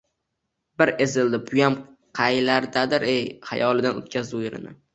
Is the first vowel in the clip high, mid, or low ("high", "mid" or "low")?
high